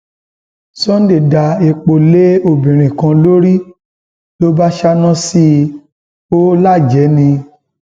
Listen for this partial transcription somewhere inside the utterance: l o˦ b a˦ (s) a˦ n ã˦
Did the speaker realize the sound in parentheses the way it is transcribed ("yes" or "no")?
no